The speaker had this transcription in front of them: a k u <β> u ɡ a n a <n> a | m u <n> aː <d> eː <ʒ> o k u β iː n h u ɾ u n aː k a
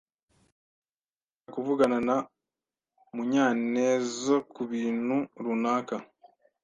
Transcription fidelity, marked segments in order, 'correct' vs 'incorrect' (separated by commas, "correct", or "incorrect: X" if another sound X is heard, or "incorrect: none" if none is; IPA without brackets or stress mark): incorrect: v, correct, incorrect: ɲ, incorrect: n, incorrect: z